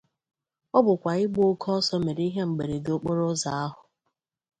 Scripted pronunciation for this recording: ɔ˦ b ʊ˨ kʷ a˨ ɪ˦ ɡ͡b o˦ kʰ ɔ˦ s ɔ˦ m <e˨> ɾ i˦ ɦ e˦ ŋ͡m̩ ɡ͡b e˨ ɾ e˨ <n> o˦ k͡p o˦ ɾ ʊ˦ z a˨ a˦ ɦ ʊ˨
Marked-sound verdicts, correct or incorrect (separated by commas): correct, incorrect